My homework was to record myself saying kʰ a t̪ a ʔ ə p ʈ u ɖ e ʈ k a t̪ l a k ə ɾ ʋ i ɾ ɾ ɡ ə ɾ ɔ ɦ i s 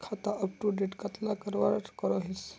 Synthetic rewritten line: kʰ a t̪ a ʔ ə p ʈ u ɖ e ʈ k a t̪ l a k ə ɾ ʋ a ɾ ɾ k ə ɾ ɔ ɦ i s